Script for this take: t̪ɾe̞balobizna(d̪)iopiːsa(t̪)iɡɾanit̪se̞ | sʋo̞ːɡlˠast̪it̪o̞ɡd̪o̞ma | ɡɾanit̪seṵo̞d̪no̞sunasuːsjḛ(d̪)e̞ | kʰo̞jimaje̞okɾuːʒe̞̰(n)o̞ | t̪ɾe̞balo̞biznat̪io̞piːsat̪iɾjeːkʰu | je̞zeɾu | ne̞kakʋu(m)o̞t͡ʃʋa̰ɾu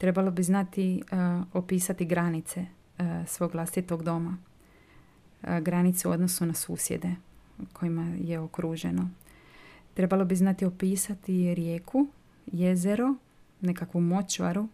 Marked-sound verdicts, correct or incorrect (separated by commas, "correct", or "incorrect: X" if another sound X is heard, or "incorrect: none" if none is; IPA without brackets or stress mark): incorrect: t̪, correct, correct, correct, correct